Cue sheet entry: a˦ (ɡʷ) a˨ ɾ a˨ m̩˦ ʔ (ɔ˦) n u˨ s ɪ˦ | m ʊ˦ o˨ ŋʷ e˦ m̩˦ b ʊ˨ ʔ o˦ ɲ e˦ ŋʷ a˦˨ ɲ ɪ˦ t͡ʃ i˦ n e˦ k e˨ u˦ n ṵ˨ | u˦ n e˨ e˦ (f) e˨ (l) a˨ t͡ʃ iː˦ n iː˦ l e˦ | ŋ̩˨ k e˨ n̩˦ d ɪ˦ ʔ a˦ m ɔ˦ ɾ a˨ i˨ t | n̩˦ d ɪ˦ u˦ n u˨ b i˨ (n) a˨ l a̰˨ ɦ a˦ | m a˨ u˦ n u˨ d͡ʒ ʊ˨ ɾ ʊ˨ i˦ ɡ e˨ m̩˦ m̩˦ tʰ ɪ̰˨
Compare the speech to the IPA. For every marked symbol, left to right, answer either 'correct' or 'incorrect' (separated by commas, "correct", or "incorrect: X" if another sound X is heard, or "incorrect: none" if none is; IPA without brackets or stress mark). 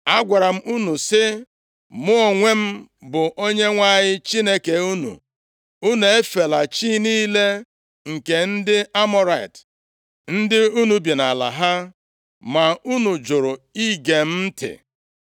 correct, incorrect: u˦, correct, correct, correct